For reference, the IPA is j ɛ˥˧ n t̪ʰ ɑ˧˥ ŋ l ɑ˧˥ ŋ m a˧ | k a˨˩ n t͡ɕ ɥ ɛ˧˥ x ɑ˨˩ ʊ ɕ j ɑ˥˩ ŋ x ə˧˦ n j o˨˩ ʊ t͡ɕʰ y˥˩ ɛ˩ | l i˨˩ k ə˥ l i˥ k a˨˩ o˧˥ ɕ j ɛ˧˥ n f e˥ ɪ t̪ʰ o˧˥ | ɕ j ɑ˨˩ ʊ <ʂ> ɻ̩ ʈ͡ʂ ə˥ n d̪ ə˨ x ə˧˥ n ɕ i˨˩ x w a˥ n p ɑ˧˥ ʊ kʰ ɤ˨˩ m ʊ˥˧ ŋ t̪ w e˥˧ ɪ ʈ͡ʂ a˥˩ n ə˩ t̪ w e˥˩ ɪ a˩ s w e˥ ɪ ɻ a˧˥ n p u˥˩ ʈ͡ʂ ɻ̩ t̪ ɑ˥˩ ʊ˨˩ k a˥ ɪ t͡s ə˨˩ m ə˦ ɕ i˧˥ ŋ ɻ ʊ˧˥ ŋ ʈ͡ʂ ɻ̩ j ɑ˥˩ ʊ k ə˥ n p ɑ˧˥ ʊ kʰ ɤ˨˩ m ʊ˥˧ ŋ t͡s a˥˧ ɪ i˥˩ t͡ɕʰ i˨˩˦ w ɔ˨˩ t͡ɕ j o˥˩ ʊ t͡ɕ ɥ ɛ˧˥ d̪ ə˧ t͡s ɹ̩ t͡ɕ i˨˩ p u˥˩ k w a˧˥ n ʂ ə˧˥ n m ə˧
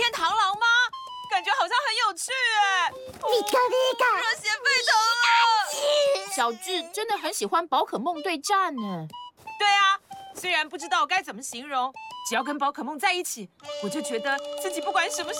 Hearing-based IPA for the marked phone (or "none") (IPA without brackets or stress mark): ʈ͡ʂ